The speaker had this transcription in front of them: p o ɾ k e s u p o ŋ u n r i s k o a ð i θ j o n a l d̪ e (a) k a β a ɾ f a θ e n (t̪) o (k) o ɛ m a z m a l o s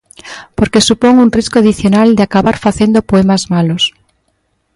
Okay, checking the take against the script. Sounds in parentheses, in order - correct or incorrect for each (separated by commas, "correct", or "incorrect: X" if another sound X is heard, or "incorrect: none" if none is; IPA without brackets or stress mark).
correct, incorrect: d̪, incorrect: p